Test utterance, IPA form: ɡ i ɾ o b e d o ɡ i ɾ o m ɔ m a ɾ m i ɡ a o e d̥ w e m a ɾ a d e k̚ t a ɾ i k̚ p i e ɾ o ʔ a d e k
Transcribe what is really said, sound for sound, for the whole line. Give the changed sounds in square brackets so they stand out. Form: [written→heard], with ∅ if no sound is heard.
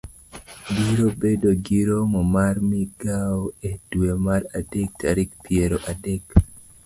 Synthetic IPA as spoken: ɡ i ɾ o b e d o ɡ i ɾ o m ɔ m a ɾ m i ɡ a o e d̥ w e m a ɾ a d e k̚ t a ɾ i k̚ p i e ɾ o ʔ a d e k